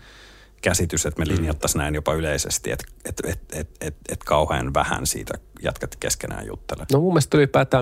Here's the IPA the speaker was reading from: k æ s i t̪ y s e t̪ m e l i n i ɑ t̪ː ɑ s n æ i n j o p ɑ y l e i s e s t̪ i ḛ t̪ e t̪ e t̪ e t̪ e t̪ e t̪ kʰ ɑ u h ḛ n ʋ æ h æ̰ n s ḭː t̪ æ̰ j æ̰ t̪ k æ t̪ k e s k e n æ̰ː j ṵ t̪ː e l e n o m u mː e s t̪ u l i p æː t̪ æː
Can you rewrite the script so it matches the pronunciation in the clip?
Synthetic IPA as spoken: k æ s i t̪ y s e t̪ m e l i n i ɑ t̪ː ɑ s n æ i n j o p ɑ y l e i s e s t̪ i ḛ t̪ e t̪ e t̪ e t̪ e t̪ e t̪ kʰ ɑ u h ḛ n ʋ æ h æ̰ n s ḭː t̪ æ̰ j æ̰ t̪ k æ t̪ k e s k e n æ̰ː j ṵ t̪ː e l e n o m u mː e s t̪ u l i p æː t̪ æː